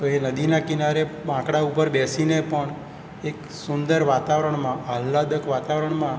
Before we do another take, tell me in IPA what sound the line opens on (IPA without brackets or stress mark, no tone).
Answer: t̪